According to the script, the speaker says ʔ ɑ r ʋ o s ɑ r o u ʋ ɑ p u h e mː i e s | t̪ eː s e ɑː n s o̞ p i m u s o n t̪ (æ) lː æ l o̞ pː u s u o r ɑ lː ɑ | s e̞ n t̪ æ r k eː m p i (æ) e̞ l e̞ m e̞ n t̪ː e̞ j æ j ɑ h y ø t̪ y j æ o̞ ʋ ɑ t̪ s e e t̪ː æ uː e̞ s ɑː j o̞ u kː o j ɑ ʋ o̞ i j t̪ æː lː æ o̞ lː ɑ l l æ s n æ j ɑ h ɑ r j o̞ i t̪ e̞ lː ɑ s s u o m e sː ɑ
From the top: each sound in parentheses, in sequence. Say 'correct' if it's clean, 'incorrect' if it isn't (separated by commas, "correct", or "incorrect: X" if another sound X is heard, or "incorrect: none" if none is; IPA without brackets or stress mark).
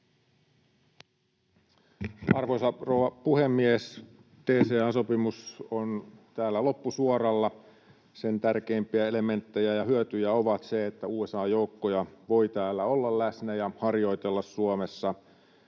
incorrect: æː, correct